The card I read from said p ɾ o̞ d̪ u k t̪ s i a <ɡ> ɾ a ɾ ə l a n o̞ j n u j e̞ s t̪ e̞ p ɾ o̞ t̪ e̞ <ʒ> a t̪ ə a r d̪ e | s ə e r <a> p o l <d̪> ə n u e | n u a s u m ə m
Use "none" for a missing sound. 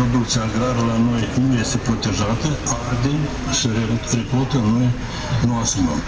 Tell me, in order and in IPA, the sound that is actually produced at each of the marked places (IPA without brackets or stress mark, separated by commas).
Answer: ɡ, ʒ, e, t̪